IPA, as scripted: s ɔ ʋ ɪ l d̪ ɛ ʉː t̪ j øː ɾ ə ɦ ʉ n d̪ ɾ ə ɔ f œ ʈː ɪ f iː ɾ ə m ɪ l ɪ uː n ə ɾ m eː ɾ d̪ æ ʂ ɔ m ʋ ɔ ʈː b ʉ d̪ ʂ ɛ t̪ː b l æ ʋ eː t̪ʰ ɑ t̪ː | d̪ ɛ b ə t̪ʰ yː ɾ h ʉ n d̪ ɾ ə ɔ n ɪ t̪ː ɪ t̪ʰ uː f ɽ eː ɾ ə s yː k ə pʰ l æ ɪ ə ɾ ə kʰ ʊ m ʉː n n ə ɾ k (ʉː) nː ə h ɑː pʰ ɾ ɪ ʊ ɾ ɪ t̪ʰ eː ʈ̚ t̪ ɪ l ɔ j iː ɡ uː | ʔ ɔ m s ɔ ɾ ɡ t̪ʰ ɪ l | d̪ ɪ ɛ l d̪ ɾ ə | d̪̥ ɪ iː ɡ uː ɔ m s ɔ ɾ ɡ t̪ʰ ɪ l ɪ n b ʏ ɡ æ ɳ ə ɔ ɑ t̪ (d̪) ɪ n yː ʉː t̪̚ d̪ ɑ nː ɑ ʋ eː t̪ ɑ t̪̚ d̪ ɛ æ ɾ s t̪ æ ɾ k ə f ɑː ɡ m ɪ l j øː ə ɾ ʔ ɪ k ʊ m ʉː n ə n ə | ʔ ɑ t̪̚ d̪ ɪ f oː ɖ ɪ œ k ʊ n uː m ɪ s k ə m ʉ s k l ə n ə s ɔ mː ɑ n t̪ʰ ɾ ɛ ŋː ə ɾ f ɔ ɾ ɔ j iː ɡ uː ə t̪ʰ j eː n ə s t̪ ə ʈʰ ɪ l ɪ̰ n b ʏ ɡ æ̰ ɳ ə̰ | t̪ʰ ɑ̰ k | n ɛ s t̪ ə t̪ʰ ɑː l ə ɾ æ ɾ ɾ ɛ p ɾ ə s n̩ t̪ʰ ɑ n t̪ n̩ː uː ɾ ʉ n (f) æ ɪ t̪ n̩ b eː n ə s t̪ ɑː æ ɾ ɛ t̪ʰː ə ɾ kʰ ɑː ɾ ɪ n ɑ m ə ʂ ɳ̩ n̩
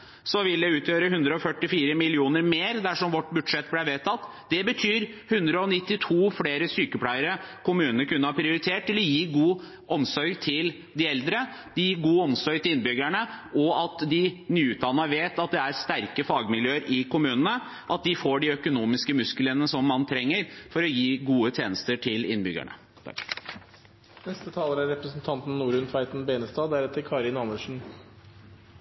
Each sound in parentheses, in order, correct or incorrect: incorrect, correct, correct

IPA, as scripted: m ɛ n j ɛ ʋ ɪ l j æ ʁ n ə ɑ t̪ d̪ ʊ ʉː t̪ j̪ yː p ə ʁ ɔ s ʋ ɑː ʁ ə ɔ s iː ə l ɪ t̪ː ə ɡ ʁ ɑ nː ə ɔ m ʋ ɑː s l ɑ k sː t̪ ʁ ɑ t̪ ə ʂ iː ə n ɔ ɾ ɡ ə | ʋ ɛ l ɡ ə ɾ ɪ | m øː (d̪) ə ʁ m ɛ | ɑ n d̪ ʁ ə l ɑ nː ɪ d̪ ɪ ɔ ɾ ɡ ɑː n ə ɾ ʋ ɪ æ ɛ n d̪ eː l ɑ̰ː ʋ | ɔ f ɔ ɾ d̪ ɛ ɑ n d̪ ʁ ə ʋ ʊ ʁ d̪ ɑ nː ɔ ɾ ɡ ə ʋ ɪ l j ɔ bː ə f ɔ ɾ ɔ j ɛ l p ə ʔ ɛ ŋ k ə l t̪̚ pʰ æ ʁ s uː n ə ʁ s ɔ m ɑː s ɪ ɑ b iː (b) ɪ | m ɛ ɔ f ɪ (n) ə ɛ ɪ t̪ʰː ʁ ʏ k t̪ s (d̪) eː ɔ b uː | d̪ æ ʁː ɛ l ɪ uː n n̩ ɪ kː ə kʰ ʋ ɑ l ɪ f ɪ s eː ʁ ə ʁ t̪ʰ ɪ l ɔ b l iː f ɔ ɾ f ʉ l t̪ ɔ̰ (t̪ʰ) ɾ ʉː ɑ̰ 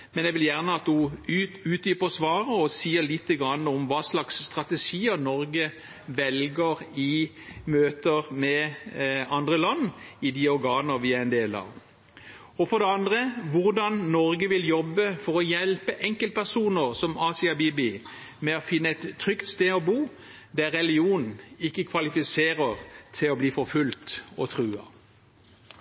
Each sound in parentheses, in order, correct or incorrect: incorrect, correct, incorrect, incorrect, correct

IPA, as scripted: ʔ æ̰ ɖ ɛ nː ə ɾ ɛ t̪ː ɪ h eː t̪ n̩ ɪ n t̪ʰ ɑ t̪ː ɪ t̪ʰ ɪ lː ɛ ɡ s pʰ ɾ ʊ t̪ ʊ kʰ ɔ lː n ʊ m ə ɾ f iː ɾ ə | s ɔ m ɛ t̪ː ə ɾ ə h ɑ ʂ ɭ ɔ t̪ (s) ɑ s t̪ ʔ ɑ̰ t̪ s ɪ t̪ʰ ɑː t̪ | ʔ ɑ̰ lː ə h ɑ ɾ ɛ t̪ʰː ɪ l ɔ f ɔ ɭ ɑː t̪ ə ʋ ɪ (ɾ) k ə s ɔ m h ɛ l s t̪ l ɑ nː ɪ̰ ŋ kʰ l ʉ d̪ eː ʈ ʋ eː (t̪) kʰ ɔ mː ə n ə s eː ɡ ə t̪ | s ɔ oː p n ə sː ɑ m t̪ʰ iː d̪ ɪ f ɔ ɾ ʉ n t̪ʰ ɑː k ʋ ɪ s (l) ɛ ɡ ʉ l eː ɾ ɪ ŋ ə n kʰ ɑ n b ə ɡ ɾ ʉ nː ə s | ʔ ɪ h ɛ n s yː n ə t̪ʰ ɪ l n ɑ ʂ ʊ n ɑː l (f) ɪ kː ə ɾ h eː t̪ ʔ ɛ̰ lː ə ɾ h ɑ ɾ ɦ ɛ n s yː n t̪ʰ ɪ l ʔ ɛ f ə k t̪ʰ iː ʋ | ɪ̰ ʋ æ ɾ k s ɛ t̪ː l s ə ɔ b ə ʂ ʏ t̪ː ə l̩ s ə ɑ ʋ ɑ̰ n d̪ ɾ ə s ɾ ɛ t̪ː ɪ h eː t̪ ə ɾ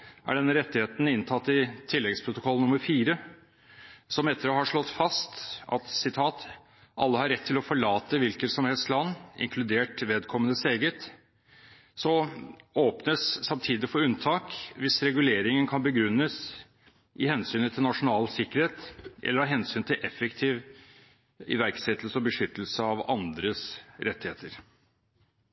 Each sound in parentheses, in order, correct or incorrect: incorrect, incorrect, incorrect, incorrect, incorrect

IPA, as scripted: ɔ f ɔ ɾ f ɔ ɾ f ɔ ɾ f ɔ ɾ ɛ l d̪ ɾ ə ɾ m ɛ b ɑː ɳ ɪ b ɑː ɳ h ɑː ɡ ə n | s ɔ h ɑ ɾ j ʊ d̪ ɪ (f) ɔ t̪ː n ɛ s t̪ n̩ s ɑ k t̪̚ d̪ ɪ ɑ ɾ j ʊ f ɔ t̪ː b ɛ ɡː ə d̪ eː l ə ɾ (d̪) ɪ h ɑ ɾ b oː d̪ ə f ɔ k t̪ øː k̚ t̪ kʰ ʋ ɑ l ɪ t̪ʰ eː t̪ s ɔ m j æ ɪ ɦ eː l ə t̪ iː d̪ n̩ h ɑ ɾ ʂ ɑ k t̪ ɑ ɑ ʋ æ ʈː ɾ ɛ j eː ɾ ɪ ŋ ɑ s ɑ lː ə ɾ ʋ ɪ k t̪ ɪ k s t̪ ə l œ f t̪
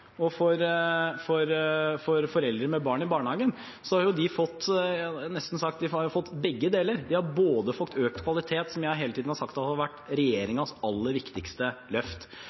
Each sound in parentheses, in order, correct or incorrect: correct, correct

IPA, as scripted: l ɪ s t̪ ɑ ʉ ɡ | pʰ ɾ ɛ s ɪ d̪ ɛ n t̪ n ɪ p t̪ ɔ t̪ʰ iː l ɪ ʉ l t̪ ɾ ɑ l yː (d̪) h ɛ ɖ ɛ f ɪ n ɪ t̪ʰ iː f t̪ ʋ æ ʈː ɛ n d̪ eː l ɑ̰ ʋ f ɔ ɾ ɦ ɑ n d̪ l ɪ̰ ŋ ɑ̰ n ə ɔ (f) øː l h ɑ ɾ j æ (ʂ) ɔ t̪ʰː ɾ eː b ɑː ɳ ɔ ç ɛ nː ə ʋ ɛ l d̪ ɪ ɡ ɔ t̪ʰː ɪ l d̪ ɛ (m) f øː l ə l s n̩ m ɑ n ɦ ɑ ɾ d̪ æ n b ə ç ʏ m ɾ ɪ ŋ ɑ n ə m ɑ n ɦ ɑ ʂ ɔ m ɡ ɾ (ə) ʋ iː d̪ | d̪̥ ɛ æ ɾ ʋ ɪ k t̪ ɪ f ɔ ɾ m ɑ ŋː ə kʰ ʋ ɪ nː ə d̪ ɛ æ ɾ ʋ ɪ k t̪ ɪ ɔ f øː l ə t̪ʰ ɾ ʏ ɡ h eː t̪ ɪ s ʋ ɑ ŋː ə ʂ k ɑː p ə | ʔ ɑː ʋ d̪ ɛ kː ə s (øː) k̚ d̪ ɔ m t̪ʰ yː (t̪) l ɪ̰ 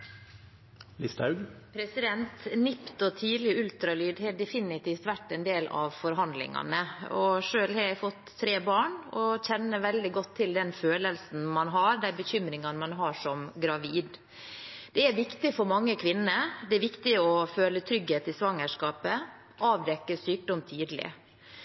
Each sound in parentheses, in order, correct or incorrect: correct, incorrect, incorrect, incorrect, incorrect, incorrect, incorrect

